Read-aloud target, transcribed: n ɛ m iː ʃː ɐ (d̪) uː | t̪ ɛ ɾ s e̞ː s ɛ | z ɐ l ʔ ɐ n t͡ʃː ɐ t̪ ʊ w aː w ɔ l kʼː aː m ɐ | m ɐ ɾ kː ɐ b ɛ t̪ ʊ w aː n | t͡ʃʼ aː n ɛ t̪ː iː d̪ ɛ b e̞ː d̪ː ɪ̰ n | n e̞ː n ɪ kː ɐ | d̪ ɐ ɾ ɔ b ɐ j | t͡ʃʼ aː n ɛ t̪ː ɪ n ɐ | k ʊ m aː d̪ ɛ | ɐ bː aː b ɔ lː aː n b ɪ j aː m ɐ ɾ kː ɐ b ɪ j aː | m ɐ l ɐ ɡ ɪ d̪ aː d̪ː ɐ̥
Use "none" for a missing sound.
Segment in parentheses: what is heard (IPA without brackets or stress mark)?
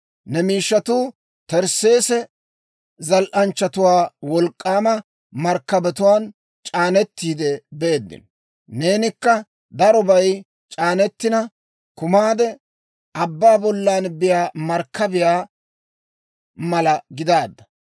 t̪